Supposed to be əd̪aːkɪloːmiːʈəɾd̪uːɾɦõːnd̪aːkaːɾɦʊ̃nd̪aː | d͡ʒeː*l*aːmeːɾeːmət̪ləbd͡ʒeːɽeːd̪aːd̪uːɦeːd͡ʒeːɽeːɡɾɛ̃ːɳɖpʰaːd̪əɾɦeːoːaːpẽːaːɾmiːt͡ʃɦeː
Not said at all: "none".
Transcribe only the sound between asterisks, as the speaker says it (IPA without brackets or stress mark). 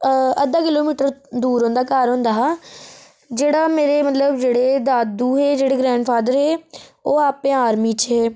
ɽ